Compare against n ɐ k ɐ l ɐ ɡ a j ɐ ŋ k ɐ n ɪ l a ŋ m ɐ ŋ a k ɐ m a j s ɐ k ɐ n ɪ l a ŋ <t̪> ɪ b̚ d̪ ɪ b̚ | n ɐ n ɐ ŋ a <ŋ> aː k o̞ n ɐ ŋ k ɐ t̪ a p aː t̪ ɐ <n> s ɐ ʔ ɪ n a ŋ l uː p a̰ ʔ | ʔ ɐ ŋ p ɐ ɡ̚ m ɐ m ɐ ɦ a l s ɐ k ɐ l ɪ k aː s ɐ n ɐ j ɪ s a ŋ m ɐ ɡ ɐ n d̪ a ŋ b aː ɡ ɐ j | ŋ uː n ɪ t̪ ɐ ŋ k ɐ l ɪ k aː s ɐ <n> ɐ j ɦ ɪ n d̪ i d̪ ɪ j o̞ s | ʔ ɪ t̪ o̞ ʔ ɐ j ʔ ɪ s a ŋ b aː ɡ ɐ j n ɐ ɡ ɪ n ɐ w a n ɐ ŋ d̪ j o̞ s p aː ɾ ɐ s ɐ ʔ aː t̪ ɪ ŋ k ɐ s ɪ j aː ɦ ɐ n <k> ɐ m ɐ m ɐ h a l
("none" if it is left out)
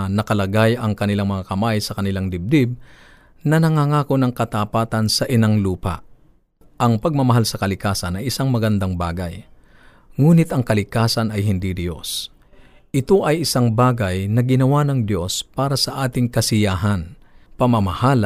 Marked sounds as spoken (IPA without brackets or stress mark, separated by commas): d̪, ŋ, n, n, p